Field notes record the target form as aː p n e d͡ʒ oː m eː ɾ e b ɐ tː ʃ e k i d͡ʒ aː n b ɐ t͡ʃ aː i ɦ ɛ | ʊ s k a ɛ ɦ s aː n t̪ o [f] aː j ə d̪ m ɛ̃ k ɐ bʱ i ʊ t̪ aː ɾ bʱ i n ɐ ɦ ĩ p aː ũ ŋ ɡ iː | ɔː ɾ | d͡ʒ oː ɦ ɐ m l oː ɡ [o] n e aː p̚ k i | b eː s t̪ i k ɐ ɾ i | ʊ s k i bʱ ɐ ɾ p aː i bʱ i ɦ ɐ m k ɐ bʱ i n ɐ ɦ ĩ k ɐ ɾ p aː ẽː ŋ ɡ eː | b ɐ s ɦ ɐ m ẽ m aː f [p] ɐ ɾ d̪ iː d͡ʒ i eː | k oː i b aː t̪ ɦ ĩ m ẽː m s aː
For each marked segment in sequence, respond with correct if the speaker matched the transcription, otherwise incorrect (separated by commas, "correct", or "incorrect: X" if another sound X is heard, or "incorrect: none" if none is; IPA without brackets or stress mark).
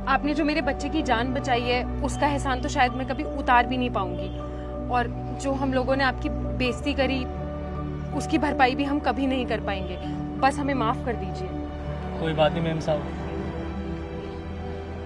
incorrect: ʃ, incorrect: õ, incorrect: k